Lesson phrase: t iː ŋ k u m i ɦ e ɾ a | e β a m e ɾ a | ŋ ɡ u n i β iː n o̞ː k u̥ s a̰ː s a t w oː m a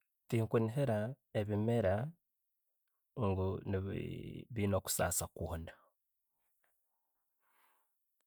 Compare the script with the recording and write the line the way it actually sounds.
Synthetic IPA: t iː ŋ k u n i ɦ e ɾ a | e β i m e ɾ a | ŋ ɡ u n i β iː n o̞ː k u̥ s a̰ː s a k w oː n a